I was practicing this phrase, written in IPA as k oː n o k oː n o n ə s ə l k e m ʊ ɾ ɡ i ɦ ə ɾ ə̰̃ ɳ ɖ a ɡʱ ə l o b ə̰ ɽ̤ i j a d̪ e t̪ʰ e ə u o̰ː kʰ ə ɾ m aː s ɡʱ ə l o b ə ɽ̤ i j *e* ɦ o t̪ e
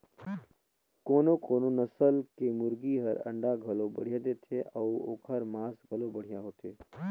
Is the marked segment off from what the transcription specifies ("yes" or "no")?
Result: yes